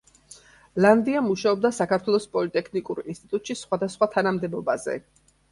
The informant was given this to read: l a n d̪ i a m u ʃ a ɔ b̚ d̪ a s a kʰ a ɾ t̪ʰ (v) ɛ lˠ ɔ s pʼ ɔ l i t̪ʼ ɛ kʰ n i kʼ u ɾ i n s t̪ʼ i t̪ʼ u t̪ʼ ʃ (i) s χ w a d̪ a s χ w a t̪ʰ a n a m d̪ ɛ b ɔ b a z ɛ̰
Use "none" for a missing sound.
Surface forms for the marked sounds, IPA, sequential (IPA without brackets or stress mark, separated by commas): w, i